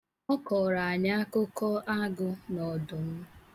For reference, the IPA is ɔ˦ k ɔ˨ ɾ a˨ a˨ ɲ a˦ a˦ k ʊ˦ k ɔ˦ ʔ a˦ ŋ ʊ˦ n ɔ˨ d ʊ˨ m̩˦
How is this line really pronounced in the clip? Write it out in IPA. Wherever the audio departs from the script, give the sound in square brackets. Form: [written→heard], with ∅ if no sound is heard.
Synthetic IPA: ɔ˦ k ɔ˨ ɾ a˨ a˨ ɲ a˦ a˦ k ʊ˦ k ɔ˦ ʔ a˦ [ŋ→ɡ] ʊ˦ n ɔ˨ d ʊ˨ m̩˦

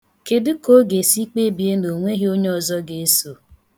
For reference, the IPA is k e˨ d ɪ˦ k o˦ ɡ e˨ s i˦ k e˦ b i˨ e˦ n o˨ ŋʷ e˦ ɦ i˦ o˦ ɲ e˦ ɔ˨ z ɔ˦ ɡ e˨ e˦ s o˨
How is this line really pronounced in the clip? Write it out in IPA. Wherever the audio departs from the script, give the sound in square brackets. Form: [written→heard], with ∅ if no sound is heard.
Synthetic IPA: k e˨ d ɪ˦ k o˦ ɡ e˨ s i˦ [k→k͡p] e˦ b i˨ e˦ n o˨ ŋʷ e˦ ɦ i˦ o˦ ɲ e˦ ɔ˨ z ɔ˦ ɡ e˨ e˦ s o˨

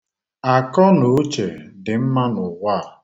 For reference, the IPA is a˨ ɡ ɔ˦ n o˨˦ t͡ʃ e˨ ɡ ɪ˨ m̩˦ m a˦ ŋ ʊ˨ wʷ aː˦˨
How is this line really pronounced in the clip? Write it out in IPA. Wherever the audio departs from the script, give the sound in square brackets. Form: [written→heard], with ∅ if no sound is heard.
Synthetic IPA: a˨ [ɡ→k] ɔ˦ n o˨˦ t͡ʃ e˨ [ɡ→d] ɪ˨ m̩˦ m a˦ [ŋ→n] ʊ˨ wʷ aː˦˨

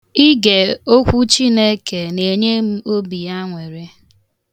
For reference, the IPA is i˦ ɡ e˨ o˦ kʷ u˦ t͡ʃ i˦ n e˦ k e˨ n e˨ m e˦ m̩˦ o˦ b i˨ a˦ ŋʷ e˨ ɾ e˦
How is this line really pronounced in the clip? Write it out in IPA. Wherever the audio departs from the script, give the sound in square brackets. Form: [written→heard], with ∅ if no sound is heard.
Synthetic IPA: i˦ ɡ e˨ o˦ kʷ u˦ t͡ʃ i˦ n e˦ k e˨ n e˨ [m→ɲ] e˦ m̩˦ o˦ b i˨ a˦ ŋʷ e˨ ɾ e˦

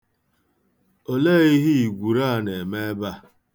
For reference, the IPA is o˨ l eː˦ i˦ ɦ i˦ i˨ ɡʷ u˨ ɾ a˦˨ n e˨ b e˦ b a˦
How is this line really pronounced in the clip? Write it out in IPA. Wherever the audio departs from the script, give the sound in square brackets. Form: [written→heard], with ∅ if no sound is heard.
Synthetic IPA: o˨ l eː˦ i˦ ɦ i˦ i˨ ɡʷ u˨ ɾ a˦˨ n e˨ [b→m] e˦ b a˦

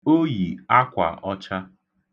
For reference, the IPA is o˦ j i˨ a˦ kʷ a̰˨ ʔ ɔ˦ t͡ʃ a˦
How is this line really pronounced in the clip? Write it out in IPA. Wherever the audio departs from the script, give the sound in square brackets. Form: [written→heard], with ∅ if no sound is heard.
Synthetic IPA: o˦ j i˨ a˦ kʷ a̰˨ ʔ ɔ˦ t͡ʃ a˦

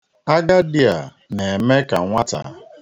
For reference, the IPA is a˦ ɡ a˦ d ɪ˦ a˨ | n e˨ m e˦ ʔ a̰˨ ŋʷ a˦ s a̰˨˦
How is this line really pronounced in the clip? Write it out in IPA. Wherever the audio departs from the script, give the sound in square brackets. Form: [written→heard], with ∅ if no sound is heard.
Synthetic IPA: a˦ ɡ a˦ d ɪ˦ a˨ | n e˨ m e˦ [ʔ→k] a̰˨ ŋʷ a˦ [s→t] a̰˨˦

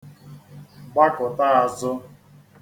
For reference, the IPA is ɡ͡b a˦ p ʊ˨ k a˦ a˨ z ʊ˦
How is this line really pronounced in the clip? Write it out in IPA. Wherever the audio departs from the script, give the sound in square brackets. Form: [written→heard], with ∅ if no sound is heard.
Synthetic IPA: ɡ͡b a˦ [p→k] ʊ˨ [k→t] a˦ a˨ z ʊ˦

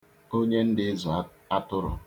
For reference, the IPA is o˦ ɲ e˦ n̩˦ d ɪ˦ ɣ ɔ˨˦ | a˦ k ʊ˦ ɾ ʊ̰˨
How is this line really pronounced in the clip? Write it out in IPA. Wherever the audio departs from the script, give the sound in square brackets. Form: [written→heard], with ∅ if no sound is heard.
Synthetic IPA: o˦ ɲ e˦ n̩˦ d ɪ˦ [ɣ→z] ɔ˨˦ | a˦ [k→t] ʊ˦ ɾ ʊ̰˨

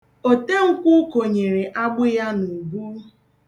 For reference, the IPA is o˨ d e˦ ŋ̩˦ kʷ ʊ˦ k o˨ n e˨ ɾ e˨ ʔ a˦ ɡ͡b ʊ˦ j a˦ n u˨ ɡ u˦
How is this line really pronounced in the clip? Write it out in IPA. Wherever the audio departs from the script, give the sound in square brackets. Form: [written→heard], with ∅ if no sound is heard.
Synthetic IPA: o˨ [d→t] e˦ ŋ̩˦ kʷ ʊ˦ k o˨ [n→ɲ] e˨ ɾ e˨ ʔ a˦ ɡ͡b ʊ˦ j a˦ n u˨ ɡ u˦

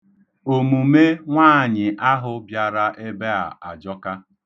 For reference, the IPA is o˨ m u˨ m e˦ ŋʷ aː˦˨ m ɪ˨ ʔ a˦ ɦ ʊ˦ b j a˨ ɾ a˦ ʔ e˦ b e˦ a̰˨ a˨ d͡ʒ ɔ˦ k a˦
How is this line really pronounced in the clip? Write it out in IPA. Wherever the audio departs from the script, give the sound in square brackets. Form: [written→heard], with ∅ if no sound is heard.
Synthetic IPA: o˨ m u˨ m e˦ ŋʷ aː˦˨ [m→ɲ] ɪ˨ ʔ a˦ ɦ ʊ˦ b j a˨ ɾ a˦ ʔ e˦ b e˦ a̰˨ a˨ d͡ʒ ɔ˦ k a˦

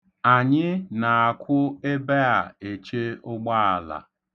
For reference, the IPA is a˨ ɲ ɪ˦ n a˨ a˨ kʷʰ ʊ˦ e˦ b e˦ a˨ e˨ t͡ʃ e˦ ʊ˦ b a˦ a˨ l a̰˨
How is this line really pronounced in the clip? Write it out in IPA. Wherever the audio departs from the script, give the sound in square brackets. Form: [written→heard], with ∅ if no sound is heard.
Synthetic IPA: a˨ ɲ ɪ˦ n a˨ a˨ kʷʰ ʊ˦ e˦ b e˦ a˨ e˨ t͡ʃ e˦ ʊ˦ [b→ɡ͡b] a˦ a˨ l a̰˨

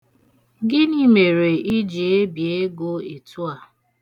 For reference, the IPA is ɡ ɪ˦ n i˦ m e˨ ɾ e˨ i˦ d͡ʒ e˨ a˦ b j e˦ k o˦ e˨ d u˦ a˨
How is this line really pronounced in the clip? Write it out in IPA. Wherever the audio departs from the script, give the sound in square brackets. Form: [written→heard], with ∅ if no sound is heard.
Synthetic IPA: ɡ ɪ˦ n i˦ m e˨ ɾ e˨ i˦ d͡ʒ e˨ [a˦→e˦] b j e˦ [k→ɡ] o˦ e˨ [d→t] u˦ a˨

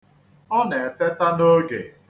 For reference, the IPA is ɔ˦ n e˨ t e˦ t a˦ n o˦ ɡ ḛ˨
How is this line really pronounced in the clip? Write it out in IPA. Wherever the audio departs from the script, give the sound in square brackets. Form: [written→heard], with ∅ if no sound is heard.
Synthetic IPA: ɔ˦ n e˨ t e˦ t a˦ n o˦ ɡ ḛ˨

